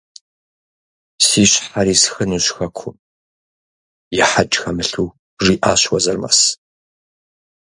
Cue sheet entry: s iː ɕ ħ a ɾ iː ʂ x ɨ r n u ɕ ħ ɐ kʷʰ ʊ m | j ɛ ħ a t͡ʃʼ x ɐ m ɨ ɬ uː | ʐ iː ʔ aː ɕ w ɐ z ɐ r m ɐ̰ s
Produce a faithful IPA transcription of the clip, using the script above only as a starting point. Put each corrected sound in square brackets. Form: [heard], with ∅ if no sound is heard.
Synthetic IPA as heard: s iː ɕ ħ a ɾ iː [s] x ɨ [∅] n u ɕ [x] ɐ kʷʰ ʊ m | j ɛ ħ a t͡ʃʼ x ɐ m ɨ ɬ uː | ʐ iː ʔ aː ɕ w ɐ z ɐ r m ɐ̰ s